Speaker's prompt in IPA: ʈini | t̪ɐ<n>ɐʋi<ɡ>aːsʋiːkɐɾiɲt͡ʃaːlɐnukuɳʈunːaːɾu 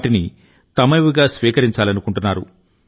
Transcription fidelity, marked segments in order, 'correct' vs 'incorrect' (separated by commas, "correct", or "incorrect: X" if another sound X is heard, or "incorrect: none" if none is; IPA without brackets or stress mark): incorrect: m, correct